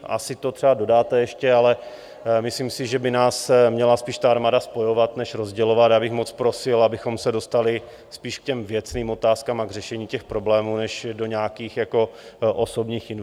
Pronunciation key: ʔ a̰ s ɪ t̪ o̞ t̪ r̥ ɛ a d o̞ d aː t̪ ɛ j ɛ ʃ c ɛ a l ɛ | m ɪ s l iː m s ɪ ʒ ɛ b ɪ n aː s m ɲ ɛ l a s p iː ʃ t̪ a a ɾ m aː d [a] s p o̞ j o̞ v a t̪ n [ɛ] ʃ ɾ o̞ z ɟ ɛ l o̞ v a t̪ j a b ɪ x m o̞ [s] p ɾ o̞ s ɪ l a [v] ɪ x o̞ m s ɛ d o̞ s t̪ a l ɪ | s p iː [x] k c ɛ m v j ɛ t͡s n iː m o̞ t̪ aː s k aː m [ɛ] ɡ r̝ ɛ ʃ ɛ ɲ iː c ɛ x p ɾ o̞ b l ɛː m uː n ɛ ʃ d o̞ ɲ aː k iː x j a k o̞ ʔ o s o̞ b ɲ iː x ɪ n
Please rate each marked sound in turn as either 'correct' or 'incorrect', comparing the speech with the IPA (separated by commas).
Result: correct, correct, incorrect, incorrect, incorrect, incorrect